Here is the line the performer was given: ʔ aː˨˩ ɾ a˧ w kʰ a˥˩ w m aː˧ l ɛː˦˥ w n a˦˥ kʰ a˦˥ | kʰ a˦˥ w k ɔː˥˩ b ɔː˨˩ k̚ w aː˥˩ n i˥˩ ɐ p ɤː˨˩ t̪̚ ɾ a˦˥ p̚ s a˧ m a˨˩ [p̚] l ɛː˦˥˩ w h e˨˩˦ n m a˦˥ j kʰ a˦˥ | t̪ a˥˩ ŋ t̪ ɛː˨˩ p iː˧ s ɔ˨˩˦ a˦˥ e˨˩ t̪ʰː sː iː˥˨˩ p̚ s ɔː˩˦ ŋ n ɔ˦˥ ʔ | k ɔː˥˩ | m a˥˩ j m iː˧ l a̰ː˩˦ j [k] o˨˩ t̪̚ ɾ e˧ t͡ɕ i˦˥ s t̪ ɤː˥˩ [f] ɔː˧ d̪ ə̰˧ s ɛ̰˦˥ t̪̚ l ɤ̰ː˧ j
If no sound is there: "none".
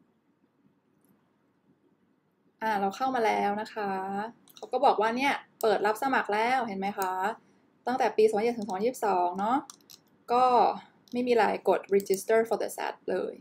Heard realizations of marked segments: k̚, k, f

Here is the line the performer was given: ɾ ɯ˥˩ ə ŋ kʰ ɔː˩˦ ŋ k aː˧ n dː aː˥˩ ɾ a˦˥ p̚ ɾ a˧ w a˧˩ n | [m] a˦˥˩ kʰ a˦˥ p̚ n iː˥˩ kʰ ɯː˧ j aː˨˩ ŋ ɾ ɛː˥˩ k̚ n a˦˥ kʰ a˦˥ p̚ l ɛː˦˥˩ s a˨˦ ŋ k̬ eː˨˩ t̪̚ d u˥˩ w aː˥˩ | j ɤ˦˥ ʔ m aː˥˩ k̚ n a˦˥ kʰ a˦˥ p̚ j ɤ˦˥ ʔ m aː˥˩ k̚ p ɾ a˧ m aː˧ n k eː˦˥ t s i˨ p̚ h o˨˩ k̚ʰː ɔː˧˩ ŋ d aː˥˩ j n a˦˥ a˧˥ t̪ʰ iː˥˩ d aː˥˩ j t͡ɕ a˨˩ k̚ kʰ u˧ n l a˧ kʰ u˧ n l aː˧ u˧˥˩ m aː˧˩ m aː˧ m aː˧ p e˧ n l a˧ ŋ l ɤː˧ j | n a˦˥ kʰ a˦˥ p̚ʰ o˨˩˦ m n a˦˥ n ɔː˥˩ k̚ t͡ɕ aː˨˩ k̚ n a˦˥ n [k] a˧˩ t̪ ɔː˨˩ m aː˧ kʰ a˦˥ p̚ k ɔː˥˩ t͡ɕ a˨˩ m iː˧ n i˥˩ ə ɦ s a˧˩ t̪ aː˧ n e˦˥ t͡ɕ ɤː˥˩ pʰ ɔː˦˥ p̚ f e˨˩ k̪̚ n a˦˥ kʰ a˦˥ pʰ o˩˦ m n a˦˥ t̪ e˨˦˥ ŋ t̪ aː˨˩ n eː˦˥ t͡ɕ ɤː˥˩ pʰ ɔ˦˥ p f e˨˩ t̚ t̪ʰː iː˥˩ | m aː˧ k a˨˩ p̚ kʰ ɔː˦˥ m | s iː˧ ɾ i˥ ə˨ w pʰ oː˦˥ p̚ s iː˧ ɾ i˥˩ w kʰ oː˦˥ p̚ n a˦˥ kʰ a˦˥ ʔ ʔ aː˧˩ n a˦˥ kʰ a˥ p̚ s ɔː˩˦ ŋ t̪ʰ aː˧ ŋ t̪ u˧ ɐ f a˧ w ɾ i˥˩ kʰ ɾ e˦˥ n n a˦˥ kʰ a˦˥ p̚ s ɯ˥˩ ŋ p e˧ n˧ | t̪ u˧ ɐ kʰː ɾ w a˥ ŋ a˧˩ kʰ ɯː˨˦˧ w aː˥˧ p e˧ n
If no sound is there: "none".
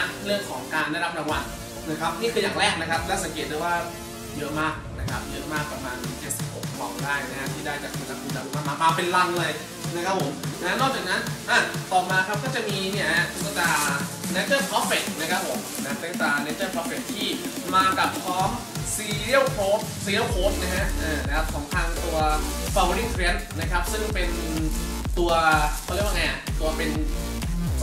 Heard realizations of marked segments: n, ʔ

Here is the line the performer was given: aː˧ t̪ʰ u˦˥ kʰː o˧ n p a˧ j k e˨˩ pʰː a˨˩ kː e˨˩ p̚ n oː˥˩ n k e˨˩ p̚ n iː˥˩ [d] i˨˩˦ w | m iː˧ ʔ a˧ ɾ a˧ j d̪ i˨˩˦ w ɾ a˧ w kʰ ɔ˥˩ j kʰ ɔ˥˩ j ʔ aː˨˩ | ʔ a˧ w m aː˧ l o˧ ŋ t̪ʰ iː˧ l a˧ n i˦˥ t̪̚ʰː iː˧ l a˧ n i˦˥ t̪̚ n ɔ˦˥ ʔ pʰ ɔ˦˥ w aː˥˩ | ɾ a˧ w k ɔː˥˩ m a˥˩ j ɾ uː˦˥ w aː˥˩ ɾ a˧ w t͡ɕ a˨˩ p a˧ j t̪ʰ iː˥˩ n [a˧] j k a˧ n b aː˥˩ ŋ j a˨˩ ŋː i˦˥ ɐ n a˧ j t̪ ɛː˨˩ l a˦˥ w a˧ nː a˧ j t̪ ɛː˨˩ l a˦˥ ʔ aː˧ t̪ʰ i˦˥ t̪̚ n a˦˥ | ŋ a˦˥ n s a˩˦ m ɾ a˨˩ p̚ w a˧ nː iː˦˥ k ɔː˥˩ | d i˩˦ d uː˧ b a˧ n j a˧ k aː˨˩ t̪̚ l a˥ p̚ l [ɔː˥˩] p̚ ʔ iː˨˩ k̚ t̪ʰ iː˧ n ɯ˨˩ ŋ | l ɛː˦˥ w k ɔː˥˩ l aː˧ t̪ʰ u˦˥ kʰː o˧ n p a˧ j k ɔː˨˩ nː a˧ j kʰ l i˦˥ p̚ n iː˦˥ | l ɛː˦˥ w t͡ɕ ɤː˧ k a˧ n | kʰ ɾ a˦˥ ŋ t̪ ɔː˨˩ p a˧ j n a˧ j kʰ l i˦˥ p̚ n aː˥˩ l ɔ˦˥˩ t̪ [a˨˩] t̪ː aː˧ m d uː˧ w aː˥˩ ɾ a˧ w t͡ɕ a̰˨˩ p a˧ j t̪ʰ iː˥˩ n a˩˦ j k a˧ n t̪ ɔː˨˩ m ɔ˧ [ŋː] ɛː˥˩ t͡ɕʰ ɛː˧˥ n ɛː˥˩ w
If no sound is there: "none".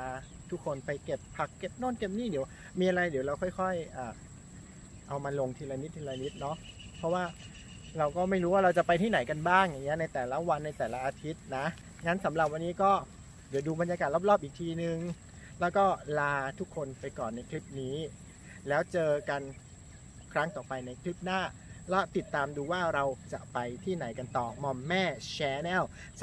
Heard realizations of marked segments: d, a˩˦, ɔː˥˩, i˨˩, mː

